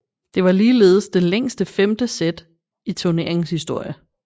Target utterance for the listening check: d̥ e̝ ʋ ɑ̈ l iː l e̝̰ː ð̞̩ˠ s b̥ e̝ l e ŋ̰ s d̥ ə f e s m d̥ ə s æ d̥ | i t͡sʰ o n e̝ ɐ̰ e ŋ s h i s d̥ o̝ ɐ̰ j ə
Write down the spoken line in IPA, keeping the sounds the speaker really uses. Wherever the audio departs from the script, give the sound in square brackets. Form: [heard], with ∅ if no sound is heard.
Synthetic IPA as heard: d̥ e̝ ʋ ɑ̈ l iː l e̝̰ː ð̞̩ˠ s [d̥] e̝ l e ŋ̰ s d̥ ə f e [∅] m d̥ ə s [e] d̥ | i t͡sʰ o n e̝ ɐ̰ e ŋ s h i s d̥ o̝ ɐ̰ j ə